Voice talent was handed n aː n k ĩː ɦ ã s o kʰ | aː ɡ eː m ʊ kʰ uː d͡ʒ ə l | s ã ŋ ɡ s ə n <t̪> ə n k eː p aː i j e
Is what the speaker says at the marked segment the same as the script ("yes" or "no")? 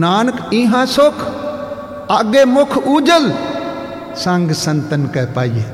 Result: yes